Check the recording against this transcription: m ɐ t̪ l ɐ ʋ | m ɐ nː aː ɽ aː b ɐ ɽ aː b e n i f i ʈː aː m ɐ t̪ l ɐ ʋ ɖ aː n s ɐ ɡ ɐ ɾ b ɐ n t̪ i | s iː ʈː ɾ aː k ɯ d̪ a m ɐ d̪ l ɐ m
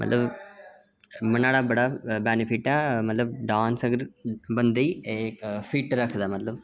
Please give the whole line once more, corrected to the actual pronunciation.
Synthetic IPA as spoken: m ɐ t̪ l ɐ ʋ | m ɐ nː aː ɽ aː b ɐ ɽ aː b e n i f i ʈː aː m ɐ t̪ l ɐ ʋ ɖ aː n s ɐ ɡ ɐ ɾ b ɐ n d̪ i | f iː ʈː ɾ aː k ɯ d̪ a m ɐ t̪ l ɐ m

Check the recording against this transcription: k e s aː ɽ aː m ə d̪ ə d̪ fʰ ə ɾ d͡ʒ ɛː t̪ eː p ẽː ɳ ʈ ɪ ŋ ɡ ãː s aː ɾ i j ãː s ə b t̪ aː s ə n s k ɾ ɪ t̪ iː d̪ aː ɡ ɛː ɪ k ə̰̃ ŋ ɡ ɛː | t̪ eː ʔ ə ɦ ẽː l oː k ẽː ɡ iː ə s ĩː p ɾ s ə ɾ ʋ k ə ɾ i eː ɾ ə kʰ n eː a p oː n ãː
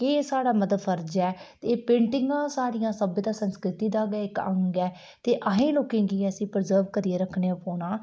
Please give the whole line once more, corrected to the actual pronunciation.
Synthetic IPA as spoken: k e s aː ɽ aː m ə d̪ ə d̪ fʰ ə ɾ d͡ʒ ɛː t̪ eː p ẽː ɳ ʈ ɪ ŋ ɡ ãː s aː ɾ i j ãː s ə b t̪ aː s ə n s k ɾ ɪ t̪ iː d̪ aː ɡ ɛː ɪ k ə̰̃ ŋ ɡ ɛː | t̪ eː ʔ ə ɦ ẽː l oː k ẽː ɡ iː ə s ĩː p ɾ z ə ɾ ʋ k ə ɾ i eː ɾ ə kʰ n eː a p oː n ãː

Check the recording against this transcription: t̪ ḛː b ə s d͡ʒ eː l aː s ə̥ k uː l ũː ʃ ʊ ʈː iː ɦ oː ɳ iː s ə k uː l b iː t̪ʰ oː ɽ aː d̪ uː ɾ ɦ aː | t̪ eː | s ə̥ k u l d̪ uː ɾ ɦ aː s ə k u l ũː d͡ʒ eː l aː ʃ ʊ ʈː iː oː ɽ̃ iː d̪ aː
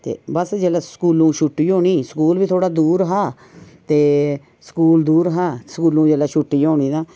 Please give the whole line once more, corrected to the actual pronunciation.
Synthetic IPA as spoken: t̪ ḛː b ə s d͡ʒ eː l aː s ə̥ k uː l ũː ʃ ʊ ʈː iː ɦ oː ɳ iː s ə k uː l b iː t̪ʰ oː ɽ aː d̪ uː ɾ ɦ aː | t̪ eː | s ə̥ k uː l d̪ uː ɾ ɦ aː s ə k uː l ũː d͡ʒ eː l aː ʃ ʊ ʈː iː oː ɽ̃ iː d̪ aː

